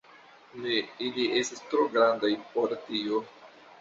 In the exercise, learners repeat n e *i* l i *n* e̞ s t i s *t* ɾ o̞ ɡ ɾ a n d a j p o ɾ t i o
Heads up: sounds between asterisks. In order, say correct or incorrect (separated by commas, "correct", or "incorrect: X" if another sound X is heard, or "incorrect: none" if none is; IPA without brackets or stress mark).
correct, incorrect: none, correct